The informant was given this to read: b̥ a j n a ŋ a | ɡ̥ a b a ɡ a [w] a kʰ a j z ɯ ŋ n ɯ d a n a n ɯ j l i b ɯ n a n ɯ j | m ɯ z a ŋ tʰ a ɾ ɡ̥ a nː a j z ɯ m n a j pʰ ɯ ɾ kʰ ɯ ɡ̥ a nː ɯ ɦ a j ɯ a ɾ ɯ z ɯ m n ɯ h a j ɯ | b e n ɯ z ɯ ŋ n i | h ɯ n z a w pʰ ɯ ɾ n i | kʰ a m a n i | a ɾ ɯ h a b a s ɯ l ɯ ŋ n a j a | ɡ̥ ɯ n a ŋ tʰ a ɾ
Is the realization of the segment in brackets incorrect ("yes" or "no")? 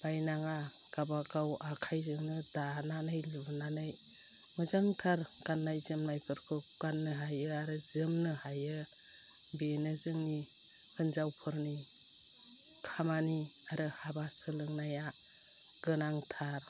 no